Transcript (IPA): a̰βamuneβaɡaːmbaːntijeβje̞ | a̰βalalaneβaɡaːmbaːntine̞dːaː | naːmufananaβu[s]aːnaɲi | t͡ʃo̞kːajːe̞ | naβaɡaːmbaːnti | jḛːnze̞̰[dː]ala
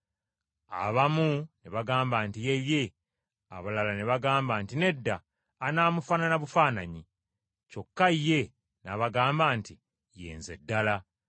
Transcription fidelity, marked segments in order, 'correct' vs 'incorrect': incorrect, correct

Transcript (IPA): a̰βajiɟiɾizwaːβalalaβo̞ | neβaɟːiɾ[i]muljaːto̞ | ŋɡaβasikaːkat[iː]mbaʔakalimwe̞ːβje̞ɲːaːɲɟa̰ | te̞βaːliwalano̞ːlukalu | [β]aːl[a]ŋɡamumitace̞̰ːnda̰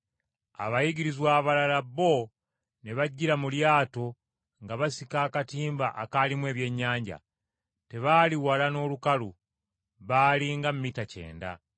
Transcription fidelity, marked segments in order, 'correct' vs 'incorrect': incorrect, correct, correct, incorrect

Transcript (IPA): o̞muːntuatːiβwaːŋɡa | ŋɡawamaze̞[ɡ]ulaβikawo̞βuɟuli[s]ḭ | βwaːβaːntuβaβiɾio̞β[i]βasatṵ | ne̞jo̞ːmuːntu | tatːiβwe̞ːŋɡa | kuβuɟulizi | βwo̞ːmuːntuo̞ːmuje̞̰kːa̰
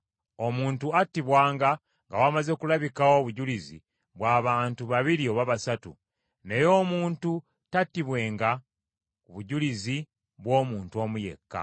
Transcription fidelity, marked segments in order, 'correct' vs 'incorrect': incorrect, incorrect, incorrect

